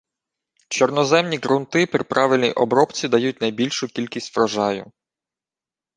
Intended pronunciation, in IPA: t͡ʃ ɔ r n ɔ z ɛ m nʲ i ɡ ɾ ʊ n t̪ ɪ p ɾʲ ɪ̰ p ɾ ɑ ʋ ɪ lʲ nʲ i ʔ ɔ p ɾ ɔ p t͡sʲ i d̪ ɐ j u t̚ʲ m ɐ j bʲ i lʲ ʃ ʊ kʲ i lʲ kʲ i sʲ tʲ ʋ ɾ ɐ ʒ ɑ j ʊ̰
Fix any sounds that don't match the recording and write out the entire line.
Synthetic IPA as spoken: t͡ʃ ɔ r n ɔ z ɛ m nʲ i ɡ ɾ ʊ n t̪ ɪ p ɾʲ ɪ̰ p ɾ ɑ ʋ ɪ lʲ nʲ i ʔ ɔ b ɾ ɔ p t͡sʲ i d̪ ɐ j u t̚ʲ n ɐ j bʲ i lʲ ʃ ʊ kʲ i lʲ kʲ i sʲ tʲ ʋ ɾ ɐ ʒ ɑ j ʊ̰